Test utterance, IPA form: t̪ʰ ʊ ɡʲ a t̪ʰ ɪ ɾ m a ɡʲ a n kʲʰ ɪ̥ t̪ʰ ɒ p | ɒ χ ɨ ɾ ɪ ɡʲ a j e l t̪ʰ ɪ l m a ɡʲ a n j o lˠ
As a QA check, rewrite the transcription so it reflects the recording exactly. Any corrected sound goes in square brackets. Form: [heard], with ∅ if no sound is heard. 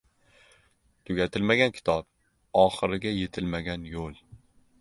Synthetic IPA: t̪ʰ ʊ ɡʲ a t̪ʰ ɪ [l] m a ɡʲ a n kʲʰ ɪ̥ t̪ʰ ɒ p | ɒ χ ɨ ɾ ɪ ɡʲ a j e [∅] t̪ʰ ɪ l m a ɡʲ a n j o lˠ